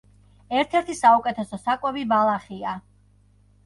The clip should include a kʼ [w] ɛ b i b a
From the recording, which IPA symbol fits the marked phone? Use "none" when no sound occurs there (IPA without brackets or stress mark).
w